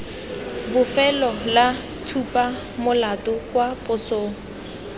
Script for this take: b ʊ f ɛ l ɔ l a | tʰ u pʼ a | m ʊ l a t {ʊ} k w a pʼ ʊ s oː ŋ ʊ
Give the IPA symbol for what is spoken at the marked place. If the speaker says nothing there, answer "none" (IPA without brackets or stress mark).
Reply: ʊ